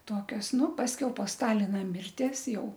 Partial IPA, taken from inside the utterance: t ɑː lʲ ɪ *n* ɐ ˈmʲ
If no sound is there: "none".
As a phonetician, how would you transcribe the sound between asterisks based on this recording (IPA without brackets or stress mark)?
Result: n